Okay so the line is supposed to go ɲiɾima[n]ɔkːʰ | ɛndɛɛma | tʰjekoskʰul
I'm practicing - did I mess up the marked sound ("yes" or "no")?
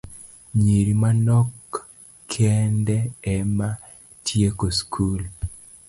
no